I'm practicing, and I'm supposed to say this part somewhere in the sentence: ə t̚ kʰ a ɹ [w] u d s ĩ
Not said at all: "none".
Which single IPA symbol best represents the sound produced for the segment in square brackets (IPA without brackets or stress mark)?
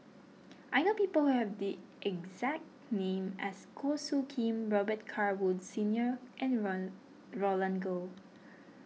w